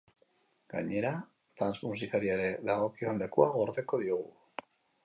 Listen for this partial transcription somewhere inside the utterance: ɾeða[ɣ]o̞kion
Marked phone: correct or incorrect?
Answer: correct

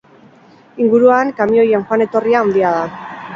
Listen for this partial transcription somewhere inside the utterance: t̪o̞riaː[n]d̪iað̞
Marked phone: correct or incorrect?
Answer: correct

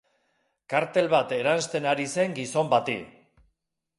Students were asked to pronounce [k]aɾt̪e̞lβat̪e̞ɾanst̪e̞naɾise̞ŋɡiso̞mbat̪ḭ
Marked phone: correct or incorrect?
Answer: correct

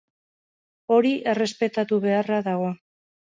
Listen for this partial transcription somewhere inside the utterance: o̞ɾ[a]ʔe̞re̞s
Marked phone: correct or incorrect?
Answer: incorrect: i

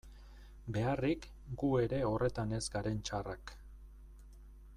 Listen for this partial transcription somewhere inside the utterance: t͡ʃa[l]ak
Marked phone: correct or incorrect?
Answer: incorrect: r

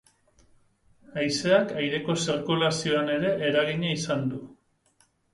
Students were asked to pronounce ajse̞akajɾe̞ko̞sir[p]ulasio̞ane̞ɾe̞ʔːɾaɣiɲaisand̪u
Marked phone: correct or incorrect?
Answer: incorrect: k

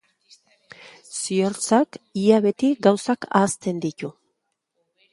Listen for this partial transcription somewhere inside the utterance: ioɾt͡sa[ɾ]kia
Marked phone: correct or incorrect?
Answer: incorrect: none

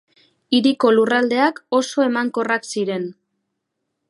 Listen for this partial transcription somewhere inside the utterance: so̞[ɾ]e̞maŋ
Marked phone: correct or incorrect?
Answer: incorrect: none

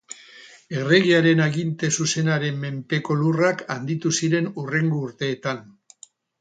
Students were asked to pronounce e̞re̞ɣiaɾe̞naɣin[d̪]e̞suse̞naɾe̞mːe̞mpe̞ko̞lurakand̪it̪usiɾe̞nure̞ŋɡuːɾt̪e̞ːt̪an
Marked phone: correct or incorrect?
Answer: incorrect: t̪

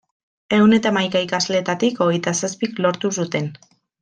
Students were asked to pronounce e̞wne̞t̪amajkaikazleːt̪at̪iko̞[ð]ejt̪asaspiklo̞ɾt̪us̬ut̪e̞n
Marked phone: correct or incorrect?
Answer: incorrect: ɣ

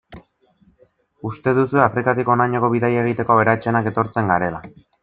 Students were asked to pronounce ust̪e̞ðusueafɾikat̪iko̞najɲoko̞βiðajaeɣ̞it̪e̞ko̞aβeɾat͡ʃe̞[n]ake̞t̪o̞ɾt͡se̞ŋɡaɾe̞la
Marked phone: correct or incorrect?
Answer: correct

